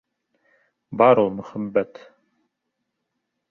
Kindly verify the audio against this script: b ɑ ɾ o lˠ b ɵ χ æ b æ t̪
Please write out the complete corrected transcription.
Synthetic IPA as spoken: b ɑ ɾ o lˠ m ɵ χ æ bː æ t̪